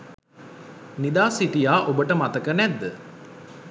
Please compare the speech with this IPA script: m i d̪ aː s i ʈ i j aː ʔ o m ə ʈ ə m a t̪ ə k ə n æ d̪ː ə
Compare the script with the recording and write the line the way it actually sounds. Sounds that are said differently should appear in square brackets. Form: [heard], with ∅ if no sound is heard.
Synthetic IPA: [n] i d̪ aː s i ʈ i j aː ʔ o [b] ə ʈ ə m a t̪ ə k ə n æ d̪ː ə